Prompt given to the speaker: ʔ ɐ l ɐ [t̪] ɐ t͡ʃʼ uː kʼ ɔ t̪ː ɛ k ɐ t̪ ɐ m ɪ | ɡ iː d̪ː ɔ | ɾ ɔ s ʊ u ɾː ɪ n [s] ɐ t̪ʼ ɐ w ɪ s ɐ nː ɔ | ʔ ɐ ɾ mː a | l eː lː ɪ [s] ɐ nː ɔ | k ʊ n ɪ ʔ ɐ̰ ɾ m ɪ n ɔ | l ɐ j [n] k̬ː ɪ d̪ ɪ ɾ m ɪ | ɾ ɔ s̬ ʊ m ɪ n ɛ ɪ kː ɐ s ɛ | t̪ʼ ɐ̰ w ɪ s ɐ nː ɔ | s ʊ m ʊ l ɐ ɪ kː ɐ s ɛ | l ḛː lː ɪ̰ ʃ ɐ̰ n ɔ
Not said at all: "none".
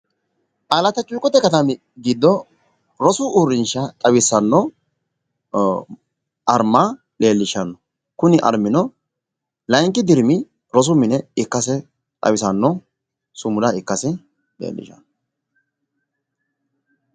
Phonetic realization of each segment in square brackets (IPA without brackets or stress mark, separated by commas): t̪, ʃ, ʃ, ŋ